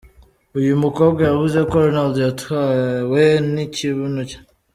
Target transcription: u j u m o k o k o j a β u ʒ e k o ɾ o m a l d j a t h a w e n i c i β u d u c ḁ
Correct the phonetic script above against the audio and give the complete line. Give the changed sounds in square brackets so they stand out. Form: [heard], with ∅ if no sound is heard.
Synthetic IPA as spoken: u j u m [u] k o [ɡ] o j a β u [z] e k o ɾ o [n] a l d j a t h a w e n i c i β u [n] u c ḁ